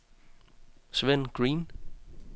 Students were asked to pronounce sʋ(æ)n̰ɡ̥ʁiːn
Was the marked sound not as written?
yes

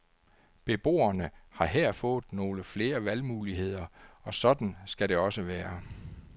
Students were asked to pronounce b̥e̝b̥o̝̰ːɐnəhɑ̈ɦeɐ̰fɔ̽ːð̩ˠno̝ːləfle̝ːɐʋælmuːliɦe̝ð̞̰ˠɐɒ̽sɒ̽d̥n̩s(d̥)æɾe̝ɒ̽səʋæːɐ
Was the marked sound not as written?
yes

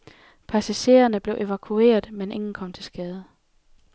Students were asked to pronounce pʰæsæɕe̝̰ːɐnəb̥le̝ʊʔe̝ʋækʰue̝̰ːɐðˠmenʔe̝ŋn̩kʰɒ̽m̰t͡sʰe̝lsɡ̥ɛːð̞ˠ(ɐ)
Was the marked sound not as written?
yes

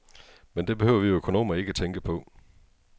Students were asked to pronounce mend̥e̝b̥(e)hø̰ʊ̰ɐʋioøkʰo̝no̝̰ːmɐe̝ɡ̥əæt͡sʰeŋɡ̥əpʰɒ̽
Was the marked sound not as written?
no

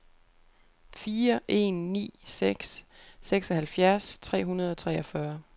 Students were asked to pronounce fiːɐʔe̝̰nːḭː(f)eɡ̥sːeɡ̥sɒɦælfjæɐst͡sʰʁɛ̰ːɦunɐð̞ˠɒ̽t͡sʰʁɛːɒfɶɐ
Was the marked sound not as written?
yes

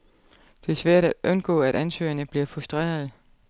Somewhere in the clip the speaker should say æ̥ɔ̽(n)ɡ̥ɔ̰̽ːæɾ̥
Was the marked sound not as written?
no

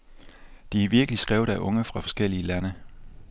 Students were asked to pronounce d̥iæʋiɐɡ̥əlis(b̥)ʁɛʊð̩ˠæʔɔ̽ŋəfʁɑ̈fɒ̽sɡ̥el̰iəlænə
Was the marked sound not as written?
yes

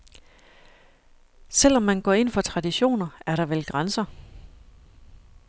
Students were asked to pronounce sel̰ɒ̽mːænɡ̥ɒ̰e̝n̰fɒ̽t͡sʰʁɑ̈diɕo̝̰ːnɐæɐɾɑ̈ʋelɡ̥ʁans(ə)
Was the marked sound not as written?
yes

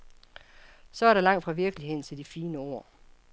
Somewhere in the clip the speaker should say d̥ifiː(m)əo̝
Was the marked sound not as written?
yes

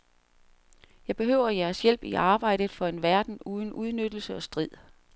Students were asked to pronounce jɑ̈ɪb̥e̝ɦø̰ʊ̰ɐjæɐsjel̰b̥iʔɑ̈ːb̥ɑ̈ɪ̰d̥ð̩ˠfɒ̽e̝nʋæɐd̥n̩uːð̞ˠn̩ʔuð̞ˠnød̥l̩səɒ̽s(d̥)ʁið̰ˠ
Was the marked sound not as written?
no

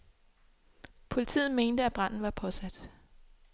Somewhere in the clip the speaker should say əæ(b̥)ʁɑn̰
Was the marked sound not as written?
no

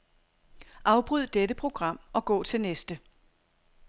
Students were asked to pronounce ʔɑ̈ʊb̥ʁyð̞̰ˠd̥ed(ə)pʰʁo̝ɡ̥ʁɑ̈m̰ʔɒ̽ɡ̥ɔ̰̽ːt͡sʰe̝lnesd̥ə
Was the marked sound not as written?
no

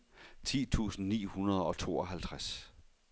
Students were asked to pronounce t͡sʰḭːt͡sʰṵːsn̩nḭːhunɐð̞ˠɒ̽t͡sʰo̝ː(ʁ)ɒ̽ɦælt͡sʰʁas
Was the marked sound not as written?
yes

